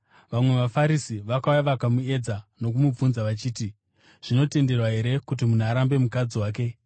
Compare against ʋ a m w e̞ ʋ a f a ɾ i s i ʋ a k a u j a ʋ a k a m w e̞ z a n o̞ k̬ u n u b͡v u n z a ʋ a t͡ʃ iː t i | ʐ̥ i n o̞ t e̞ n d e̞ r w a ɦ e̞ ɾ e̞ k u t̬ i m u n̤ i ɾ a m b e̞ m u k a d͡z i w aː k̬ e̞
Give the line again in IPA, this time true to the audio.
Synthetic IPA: ʋ a m w e̞ ʋ a f a ɾ i s i ʋ a k a u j a ʋ a k a m u e̞ d͡z a n o̞ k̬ u m u b͡v u n z a ʋ a t͡ʃ iː t i | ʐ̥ i n o̞ t e̞ n d e̞ r w a ɦ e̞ ɾ e̞ k u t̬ i m u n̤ a ɾ a m b e̞ m u k a d͡z i w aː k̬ e̞